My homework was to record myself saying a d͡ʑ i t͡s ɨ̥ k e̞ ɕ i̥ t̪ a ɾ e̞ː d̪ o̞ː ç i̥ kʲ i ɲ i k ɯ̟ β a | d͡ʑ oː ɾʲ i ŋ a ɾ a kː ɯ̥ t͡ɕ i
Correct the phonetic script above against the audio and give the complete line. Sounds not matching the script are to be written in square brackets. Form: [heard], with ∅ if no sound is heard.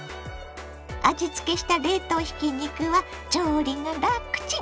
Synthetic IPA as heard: a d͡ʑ i t͡s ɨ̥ k e̞ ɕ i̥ t̪ a ɾ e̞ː [t̪] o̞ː ç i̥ kʲ i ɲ i k ɯ̟ β a | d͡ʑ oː ɾʲ i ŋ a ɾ a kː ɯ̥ t͡ɕ i